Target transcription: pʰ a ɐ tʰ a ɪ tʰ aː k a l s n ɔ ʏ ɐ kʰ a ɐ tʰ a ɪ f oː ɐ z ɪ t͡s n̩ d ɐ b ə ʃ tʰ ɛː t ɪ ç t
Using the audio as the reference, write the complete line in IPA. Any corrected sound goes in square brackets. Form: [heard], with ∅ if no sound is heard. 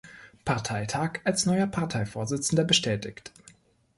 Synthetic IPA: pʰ a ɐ tʰ a ɪ tʰ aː k a l s n ɔ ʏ ɐ [pʰ] a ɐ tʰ a ɪ f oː ɐ z ɪ t͡s n̩ d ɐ b ə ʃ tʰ ɛː t ɪ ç t